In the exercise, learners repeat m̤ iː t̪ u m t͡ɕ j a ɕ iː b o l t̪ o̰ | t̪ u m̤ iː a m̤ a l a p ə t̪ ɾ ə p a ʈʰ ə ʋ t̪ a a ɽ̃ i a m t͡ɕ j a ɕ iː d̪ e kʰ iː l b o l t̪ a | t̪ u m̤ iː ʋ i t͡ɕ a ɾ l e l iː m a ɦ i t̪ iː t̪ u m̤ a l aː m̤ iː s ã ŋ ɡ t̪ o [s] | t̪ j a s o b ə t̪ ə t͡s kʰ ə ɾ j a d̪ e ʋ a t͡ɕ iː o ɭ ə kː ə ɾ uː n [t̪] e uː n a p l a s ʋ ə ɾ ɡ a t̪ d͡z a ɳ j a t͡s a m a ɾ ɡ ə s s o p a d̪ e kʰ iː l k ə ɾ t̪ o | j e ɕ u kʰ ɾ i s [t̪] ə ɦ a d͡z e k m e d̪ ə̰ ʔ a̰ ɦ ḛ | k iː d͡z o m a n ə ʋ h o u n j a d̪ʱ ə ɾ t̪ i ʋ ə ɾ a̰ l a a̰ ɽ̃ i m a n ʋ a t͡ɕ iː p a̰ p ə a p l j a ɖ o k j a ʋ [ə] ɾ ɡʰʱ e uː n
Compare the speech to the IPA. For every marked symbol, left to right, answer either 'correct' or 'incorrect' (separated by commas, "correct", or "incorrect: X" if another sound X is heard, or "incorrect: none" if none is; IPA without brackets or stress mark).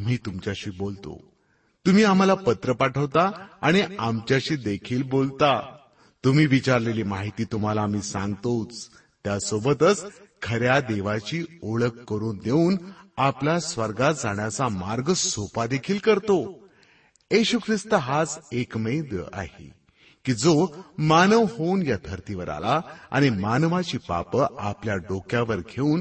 incorrect: t͡s, incorrect: d̪, correct, correct